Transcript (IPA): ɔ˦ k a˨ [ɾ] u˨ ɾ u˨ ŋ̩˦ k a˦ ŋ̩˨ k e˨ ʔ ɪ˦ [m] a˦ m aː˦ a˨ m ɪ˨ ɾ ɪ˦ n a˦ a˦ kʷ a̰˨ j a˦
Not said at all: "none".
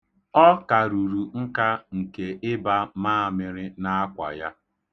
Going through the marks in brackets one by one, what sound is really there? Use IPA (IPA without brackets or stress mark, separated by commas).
ɾ, b